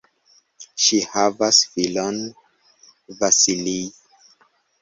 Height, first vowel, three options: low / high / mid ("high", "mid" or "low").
high